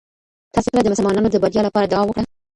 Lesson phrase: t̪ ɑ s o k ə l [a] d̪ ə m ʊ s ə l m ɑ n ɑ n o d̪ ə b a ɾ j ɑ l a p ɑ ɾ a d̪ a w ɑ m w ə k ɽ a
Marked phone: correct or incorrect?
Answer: correct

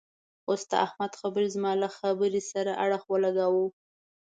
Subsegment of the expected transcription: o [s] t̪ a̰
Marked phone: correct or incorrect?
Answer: correct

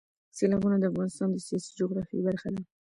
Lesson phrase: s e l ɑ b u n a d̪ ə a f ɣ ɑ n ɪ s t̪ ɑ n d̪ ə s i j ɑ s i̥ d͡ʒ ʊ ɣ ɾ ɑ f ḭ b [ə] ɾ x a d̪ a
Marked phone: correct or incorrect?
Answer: incorrect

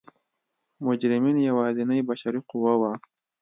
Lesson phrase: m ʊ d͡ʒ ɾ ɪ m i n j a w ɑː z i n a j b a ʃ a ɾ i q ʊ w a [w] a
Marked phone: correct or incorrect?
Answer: correct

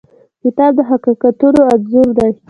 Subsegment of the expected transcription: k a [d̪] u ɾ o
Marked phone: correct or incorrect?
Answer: incorrect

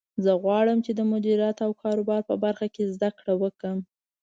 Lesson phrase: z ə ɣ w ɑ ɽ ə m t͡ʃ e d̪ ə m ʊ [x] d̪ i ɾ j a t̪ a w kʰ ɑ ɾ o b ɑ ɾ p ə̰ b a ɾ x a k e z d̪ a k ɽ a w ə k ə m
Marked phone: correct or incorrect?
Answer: incorrect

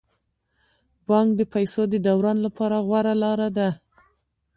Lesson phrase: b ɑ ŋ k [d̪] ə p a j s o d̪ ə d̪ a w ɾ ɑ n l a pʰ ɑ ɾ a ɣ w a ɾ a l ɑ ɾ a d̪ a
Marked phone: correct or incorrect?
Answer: correct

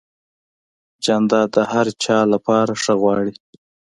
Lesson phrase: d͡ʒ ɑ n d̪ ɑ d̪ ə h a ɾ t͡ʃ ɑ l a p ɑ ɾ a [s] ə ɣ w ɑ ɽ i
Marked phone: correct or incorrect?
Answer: incorrect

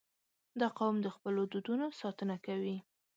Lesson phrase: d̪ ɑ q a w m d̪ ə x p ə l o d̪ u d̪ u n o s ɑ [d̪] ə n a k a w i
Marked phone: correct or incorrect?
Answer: incorrect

